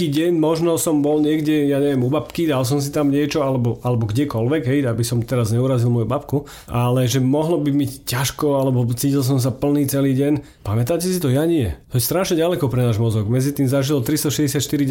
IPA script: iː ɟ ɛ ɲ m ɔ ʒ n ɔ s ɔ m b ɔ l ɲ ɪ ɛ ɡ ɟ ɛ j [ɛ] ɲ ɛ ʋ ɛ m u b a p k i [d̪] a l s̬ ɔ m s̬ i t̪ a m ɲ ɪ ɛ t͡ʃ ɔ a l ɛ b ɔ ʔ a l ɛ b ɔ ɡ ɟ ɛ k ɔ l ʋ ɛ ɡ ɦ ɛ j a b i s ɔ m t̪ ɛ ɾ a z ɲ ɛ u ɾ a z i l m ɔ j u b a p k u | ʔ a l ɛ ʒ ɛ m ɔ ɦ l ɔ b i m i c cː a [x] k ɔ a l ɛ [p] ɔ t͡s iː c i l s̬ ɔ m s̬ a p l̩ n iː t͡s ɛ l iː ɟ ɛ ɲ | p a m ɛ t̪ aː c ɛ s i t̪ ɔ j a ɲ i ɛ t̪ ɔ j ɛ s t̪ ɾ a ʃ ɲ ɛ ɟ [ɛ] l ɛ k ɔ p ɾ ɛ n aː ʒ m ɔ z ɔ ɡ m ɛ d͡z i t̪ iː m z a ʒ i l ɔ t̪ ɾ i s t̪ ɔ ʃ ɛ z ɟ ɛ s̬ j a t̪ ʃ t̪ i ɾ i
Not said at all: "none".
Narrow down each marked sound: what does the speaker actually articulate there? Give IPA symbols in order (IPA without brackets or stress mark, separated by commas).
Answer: a, d̪, ʃ, b, a